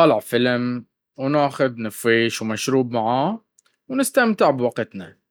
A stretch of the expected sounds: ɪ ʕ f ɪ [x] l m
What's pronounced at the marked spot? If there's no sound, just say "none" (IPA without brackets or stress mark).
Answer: none